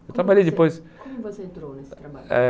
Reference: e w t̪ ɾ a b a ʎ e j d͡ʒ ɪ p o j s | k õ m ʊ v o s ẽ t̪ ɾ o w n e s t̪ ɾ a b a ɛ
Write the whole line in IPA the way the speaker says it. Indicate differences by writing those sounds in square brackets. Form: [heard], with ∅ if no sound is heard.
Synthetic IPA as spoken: e w t̪ ɾ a b a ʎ e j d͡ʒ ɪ p o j s | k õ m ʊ v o s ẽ t̪ ɾ o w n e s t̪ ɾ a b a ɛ